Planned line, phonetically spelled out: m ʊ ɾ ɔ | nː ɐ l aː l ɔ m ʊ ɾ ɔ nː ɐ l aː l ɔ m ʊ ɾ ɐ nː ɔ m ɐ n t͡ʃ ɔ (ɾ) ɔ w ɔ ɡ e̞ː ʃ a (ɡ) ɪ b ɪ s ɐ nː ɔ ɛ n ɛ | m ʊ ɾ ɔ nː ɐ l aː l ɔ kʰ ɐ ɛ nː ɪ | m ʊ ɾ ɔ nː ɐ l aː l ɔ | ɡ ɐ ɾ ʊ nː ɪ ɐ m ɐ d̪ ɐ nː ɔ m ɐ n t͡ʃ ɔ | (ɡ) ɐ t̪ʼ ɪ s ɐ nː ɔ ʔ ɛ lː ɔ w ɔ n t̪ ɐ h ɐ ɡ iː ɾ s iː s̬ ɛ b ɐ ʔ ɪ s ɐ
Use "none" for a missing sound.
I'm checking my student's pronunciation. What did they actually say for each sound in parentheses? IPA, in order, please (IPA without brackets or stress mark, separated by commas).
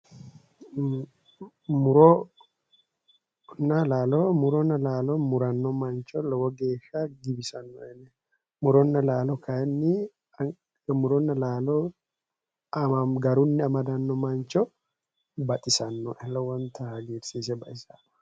l, ɡ, b